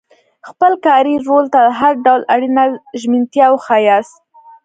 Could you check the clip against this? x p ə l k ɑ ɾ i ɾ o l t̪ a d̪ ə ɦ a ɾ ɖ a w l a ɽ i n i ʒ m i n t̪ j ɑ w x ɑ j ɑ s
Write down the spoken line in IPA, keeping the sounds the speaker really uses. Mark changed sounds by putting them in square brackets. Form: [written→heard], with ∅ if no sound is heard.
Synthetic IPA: x p ə l k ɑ ɾ i ɾ o l t̪ a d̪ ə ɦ a ɾ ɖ a w l a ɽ i n [i→a] ʒ m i n t̪ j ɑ w x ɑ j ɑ s